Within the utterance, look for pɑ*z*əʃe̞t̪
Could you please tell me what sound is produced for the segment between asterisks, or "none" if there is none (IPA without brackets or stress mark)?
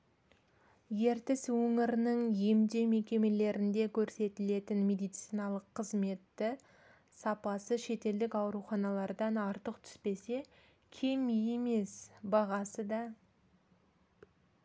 s